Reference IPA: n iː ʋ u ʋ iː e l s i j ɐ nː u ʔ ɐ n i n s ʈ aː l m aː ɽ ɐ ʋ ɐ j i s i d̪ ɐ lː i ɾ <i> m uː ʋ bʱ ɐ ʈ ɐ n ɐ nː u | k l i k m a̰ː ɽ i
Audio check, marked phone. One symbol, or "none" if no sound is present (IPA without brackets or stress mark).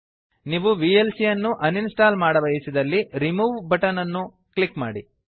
i